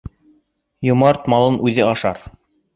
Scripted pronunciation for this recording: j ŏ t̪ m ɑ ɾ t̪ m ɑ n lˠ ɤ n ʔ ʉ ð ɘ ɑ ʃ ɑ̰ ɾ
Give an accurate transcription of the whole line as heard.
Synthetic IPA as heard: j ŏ m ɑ ɾ t̪ m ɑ lˠ ɤ n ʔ ʉ ð ɘ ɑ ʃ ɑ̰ ɾ